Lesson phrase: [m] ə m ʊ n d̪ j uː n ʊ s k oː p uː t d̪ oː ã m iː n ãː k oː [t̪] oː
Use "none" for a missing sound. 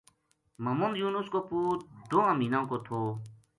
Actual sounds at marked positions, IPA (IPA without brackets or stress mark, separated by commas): m, t̪ʰ